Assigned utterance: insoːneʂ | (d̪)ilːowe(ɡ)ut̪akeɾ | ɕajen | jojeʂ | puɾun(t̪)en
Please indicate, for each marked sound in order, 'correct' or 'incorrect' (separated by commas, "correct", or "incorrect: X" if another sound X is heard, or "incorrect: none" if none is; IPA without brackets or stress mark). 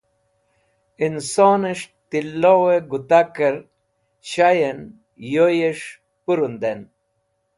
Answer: incorrect: t̪, correct, incorrect: d̪